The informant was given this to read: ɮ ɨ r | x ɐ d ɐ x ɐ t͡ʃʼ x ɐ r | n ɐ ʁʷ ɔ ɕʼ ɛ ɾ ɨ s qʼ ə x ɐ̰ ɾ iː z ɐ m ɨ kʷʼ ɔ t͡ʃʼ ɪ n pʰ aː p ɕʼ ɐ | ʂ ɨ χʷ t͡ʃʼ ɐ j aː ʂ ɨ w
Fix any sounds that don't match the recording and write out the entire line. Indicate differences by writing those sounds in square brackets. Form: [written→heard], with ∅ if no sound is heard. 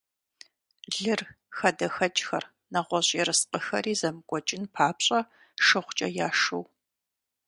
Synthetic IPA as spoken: ɮ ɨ r | x ɐ d ɐ x ɐ t͡ʃʼ x ɐ r | n ɐ ʁʷ ɔ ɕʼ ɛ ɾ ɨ s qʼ ə x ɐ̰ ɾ iː z ɐ m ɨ kʷʼ ɔ t͡ʃʼ ɪ n pʰ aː p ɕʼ ɐ | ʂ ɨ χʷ t͡ʃʼ ɐ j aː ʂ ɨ w